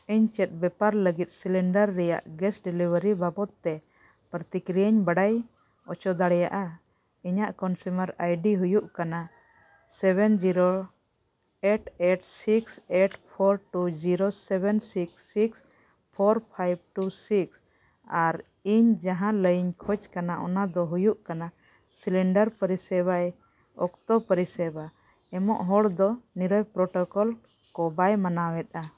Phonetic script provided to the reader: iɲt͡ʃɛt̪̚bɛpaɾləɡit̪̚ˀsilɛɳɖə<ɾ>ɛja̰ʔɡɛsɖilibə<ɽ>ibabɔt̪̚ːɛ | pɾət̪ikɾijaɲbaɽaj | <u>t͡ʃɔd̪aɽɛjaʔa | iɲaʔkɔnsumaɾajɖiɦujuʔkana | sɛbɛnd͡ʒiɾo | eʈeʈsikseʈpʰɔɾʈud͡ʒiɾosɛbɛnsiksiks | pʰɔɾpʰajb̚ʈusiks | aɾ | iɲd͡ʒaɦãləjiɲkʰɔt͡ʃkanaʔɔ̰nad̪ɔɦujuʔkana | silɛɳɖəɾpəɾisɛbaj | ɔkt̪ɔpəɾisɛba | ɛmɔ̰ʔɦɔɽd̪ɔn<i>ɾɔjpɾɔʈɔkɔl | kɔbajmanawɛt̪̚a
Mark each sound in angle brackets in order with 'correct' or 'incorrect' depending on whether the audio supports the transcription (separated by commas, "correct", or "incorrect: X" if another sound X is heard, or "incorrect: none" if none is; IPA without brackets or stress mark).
incorrect: ɾː, incorrect: ɾ, incorrect: ɔ, correct